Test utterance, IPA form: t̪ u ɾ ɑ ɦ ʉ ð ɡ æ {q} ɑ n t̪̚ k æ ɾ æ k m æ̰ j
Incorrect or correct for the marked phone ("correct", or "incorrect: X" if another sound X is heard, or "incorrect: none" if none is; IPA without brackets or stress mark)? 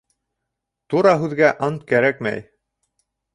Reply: incorrect: ʔ